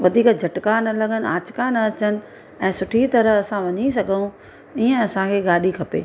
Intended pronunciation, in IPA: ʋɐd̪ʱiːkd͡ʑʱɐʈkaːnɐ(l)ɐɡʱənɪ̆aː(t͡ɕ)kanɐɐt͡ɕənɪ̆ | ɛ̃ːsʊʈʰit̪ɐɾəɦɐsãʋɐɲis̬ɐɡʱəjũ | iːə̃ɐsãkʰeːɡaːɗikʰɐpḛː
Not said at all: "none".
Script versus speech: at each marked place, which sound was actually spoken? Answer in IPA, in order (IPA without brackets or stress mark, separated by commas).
l, t͡ɕ